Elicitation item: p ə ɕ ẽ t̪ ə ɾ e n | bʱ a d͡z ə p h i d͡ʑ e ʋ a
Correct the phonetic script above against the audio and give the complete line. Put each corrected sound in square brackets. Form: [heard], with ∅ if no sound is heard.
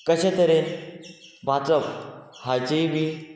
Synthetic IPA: [k] ə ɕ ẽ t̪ ə ɾ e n | bʱ a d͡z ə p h [a] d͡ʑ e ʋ [i]